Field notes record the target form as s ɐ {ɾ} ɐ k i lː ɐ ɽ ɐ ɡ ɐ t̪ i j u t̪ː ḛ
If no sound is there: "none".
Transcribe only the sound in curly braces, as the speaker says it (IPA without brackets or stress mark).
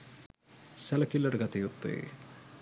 l